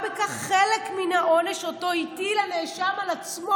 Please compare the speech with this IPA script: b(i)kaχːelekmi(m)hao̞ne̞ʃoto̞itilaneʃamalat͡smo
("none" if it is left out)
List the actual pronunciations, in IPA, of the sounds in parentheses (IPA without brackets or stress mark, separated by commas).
e, n